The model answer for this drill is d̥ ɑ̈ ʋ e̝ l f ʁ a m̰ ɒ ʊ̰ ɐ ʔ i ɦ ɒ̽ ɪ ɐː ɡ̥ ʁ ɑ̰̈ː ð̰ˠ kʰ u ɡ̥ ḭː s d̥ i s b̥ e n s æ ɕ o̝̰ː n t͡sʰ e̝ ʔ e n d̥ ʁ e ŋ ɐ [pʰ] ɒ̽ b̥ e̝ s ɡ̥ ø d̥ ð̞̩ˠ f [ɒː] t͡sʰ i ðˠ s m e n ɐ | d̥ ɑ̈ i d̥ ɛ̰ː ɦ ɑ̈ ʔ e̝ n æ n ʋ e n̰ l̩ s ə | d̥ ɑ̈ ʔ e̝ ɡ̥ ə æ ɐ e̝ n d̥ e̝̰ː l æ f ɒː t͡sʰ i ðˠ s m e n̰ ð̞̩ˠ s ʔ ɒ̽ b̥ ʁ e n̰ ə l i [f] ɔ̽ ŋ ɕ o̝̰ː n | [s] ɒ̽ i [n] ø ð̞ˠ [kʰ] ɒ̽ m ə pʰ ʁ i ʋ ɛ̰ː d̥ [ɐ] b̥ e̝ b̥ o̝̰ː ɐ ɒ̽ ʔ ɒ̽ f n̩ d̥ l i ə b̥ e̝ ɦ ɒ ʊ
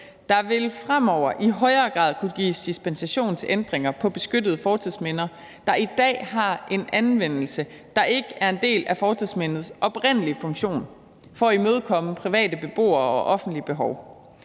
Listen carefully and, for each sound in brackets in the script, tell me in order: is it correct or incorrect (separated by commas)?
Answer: correct, correct, correct, incorrect, incorrect, correct, incorrect